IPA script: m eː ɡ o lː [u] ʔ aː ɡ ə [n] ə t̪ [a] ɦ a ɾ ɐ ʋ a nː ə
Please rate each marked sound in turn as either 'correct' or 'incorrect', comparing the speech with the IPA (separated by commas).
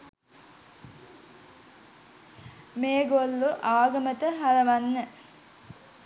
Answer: correct, incorrect, incorrect